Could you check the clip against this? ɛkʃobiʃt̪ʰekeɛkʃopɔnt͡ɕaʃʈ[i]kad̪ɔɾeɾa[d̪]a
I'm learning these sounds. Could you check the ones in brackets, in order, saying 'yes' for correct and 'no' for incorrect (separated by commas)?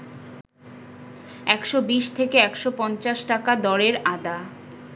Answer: no, yes